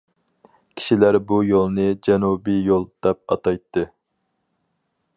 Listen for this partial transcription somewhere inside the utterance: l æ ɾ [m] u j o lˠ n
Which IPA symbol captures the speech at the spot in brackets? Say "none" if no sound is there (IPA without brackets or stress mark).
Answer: b